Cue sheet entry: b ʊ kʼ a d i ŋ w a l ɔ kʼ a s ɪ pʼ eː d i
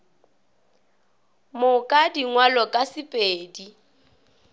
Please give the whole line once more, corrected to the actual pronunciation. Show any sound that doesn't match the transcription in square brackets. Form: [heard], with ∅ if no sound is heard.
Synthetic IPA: [m] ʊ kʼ a d i ŋ w a l ɔ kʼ a s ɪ pʼ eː d i

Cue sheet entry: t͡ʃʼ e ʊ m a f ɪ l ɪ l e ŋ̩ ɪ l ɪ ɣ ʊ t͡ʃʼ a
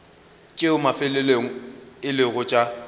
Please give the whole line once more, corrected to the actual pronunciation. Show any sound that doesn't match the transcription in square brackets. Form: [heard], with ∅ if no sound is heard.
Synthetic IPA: t͡ʃʼ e ʊ m a f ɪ l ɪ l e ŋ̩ ɪ l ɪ ɣ ʊ t͡ʃʼ a

